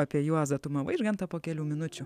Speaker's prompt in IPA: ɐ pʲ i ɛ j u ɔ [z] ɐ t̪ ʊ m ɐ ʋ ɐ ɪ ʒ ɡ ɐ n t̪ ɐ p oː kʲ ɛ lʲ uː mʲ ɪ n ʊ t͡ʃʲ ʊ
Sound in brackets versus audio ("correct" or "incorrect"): correct